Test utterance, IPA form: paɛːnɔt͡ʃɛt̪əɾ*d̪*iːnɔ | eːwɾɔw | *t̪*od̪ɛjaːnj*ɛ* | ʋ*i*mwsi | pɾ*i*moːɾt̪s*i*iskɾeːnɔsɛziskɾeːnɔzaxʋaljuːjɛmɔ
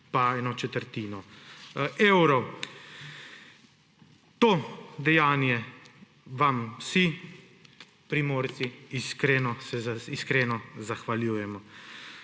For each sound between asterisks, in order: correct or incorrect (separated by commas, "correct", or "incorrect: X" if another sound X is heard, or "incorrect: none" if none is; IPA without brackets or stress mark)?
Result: incorrect: t̪, correct, correct, incorrect: a, correct, correct